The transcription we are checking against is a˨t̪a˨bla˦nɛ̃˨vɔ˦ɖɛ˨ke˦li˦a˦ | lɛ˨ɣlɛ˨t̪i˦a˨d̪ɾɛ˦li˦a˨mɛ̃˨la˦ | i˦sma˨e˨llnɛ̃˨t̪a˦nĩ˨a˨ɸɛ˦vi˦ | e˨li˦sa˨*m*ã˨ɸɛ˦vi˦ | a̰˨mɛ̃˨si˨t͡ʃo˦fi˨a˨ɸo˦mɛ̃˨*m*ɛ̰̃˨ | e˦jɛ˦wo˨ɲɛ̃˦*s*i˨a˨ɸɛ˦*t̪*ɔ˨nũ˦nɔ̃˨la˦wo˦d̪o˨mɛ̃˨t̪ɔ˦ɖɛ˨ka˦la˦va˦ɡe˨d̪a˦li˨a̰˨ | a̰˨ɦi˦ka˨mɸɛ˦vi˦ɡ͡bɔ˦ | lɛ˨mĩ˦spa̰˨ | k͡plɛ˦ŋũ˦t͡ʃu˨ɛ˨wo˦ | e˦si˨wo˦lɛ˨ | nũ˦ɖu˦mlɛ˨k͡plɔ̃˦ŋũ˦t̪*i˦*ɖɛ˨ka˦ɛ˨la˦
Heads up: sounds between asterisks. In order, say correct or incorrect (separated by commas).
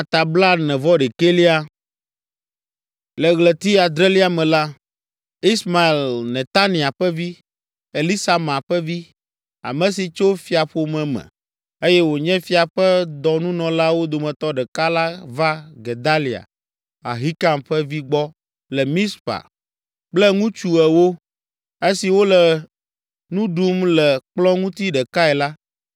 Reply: correct, correct, incorrect, incorrect, correct